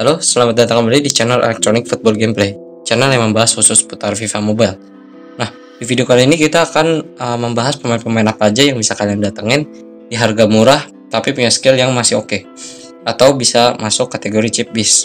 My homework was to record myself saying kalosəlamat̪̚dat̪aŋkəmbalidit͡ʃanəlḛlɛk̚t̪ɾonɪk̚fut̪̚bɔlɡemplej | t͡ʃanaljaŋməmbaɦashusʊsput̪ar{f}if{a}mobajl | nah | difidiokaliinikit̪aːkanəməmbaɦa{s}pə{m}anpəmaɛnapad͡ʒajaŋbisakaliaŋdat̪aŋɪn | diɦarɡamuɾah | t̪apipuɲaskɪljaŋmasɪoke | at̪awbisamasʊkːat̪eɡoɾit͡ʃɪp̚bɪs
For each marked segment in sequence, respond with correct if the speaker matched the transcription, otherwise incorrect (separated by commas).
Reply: correct, correct, correct, correct